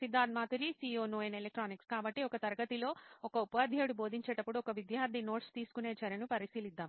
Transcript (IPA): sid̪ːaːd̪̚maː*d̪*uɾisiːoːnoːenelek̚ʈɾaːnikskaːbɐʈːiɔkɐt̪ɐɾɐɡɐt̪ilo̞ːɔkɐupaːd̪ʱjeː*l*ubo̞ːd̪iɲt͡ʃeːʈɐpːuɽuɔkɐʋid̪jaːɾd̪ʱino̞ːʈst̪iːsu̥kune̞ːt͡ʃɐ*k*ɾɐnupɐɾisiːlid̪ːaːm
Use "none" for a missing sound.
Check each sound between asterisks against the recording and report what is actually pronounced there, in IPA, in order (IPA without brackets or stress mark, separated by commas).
t̪, ɽ, none